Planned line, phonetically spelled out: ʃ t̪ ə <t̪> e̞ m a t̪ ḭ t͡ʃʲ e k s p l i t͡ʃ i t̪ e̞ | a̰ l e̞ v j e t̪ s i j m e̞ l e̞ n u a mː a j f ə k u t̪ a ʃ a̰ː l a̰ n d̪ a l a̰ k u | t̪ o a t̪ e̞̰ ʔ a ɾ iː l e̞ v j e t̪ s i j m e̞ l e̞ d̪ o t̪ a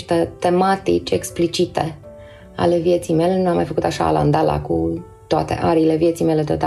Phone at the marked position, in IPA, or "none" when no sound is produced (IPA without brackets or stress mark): t̪